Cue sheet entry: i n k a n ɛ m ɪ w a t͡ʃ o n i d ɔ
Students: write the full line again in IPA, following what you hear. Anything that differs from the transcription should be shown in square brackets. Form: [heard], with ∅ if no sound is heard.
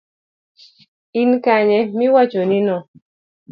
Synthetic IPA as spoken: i n k a [ɲ] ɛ m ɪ w a t͡ʃ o n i [n] ɔ